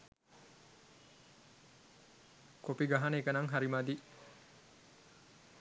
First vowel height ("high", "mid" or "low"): mid